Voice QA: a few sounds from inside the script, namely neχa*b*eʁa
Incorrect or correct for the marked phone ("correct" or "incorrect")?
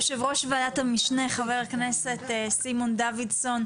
incorrect